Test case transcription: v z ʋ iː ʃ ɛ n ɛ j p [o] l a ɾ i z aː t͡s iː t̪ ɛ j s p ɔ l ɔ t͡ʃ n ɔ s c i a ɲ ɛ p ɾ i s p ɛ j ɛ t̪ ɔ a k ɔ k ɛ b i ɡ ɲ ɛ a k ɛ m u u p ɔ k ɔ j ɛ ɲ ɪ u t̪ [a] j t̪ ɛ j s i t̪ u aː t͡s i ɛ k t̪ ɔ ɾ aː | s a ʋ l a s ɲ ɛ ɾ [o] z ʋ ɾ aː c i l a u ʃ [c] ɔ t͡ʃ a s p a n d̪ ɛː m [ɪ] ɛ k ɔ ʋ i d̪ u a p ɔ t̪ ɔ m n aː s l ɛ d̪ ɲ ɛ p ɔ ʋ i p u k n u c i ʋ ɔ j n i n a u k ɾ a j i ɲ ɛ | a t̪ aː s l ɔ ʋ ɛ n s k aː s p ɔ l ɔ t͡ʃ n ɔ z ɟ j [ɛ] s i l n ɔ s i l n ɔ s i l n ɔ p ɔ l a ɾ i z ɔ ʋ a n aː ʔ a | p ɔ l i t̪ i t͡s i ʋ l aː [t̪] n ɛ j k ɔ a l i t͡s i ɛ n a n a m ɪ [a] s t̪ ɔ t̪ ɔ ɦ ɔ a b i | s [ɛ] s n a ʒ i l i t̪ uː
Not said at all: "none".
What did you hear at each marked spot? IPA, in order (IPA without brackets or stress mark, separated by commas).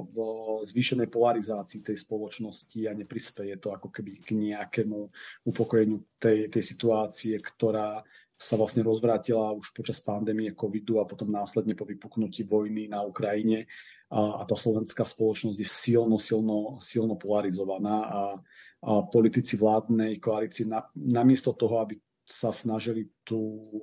ɔ, ɛ, ɔ, p, i, ɛ, d̪, ɛ, a